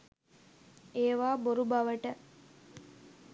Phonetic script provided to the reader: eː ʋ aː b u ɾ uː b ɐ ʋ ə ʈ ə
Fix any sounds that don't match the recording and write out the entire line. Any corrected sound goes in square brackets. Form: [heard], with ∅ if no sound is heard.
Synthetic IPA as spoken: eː ʋ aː b [o] ɾ [u] b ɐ ʋ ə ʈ ə